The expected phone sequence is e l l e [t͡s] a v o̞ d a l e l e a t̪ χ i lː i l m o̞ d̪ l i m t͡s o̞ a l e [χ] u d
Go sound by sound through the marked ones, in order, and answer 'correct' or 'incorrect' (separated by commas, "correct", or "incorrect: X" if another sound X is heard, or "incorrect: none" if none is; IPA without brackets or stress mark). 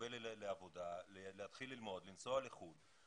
incorrect: none, correct